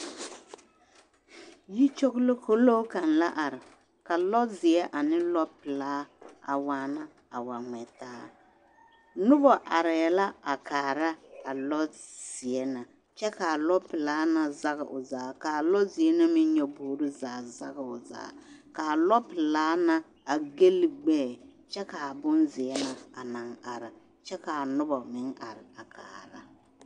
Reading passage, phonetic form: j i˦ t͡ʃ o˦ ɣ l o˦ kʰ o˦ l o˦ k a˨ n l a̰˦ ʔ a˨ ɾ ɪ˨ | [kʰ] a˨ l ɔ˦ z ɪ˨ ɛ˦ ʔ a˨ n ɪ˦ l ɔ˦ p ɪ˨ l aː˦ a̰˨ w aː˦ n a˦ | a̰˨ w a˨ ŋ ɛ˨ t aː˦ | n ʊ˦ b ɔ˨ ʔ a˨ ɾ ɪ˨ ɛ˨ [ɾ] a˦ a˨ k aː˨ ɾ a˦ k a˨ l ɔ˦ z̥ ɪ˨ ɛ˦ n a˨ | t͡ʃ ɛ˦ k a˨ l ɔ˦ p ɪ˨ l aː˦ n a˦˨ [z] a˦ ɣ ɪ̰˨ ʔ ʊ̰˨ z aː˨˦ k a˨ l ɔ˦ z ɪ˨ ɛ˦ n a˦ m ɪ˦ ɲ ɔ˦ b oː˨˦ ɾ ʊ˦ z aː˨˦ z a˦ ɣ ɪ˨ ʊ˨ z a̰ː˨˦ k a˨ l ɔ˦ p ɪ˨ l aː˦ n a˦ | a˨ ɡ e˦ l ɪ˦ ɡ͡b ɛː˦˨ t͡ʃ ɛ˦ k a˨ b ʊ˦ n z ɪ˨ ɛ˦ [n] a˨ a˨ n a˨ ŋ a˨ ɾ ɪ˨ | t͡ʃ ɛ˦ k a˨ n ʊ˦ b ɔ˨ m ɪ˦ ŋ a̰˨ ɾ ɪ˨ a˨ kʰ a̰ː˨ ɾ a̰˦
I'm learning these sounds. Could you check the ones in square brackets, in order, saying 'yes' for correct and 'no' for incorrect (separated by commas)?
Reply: no, no, yes, yes